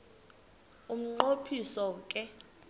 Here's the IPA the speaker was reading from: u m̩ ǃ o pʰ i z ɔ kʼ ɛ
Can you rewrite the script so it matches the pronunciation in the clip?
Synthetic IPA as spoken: u m̩ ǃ o pʰ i s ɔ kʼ ɛ